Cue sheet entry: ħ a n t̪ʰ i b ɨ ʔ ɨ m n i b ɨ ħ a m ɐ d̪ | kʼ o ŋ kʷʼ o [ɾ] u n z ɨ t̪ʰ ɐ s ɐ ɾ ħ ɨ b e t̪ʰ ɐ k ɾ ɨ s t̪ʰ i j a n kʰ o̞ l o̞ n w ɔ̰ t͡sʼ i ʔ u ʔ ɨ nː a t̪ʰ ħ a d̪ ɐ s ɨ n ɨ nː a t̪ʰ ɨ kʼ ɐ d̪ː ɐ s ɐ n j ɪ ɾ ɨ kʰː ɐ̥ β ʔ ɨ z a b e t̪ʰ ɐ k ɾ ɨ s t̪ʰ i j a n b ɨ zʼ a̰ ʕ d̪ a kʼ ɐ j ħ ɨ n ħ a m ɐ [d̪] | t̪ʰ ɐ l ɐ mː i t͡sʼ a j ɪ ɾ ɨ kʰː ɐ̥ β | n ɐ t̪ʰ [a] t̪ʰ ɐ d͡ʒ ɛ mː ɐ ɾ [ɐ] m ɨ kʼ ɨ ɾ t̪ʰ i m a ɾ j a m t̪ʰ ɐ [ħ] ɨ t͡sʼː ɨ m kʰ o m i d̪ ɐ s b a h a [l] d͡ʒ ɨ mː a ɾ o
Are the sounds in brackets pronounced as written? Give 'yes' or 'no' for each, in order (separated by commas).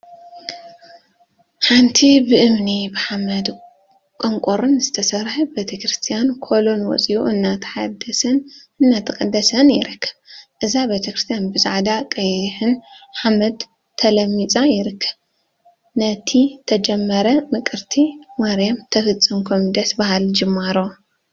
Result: yes, yes, no, yes, no, yes